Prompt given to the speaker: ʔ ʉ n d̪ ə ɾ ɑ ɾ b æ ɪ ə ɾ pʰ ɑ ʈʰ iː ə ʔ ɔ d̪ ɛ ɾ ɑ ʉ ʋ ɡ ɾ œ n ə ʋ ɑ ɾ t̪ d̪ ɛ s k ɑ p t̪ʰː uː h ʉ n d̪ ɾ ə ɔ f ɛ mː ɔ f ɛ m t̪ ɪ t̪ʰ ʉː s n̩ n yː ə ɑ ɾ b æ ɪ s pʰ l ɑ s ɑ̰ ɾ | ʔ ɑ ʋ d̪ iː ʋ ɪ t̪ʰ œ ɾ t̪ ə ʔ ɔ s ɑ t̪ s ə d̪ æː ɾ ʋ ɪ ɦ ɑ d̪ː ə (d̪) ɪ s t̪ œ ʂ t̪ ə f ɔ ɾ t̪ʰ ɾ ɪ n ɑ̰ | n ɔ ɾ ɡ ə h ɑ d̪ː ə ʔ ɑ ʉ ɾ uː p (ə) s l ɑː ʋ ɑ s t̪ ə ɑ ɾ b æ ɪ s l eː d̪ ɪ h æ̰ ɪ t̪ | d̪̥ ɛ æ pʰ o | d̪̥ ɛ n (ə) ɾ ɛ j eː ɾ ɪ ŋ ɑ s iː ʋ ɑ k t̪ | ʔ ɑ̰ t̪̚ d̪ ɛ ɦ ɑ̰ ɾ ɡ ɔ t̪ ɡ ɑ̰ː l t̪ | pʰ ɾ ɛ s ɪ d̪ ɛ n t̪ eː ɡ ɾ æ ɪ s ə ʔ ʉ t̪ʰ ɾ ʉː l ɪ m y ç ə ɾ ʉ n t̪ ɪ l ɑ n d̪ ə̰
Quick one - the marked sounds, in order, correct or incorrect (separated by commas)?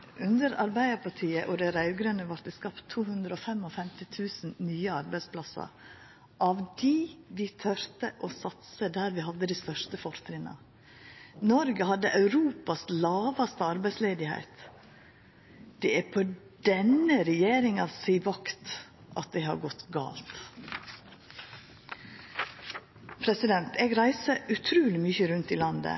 correct, incorrect, correct